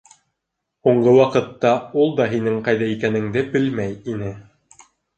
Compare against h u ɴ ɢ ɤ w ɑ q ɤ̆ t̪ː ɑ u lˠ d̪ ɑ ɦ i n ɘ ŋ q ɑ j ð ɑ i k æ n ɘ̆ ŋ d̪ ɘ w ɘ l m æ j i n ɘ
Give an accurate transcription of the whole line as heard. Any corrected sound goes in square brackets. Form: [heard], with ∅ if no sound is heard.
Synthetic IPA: h u ɴ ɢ ɤ w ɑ q ɤ̆ t̪ː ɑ u lˠ d̪ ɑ ɦ i n ɘ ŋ q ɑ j ð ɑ i k æ n ɘ̆ ŋ d̪ ɘ [b] ɘ l m æ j i n ɘ